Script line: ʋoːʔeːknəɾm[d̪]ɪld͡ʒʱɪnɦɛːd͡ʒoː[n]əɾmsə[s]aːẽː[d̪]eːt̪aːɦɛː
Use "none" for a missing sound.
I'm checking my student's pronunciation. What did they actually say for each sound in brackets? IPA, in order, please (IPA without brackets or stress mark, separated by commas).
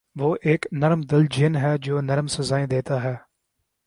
d̪, n, z, d̪